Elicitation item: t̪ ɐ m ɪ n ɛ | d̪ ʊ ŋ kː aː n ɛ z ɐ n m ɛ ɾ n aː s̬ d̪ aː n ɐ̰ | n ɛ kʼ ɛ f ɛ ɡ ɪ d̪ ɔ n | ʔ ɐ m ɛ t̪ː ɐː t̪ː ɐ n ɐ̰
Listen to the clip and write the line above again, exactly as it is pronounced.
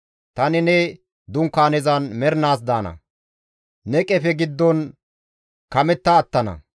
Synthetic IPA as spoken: t̪ ɐ n ɪ n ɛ | d̪ ʊ ŋ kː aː n ɛ z ɐ n m ɛ ɾ n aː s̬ d̪ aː n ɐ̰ | n ɛ kʼ ɛ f ɛ ɡ ɪ d̪ː ɔ n | k ɐ m ɛ t̪ː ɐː t̪ː ɐ n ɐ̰